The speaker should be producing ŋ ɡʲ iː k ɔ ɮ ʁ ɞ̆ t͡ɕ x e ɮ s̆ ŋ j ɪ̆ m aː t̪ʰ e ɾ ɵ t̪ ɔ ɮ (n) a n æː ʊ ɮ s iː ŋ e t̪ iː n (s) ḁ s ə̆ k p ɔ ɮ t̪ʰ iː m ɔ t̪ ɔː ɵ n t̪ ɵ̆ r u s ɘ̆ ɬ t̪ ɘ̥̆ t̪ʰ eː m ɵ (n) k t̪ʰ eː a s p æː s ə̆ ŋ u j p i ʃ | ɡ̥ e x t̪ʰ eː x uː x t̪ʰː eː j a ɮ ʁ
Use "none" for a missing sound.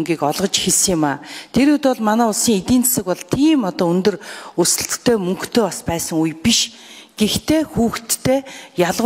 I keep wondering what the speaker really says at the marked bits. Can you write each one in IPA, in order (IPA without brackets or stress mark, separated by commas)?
m, t͡s, ŋ